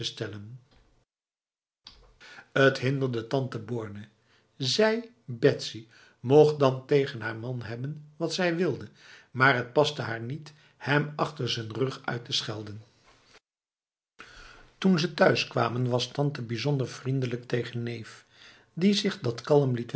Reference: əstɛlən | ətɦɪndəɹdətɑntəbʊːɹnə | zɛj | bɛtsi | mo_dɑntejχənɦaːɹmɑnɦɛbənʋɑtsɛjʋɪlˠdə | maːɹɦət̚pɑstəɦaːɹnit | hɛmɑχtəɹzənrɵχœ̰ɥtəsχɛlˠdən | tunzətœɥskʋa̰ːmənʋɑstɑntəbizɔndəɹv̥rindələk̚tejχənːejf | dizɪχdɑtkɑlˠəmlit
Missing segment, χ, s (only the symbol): χ